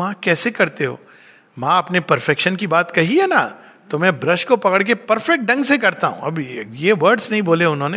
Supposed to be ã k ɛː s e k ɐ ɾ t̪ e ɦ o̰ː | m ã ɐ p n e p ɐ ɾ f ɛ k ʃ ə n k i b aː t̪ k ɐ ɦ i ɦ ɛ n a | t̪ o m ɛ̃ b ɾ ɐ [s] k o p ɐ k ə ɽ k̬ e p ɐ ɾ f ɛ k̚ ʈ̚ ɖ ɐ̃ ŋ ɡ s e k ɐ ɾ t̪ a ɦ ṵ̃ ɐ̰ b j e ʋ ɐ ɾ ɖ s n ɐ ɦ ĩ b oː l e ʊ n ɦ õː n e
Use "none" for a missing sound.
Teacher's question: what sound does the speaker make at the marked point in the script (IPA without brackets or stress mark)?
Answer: ʃ